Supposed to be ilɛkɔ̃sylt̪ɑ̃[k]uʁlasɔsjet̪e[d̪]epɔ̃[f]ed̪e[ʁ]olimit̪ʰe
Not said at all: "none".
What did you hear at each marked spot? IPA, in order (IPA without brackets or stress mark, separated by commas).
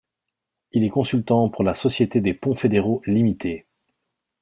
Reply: p, d̪, f, ʁ